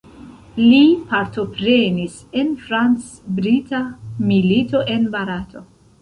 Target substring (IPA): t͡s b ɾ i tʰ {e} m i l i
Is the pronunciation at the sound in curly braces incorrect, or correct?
incorrect